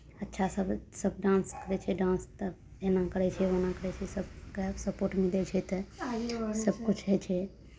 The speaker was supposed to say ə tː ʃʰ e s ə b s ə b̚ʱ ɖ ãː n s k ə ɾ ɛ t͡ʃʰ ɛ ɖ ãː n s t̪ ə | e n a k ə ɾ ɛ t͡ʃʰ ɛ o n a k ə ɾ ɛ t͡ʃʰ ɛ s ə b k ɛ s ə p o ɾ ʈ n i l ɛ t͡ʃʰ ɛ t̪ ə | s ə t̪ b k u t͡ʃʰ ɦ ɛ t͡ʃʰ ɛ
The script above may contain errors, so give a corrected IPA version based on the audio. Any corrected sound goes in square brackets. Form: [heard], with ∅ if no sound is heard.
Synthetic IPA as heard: ə tː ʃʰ [a] s ə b s ə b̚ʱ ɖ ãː n s k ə ɾ ɛ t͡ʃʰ ɛ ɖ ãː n s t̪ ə | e n a k ə ɾ ɛ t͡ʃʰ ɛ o n a k ə ɾ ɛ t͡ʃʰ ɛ s ə b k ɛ s ə p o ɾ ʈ [m] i l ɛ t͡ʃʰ ɛ t̪ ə | s ə [∅] b k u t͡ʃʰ ɦ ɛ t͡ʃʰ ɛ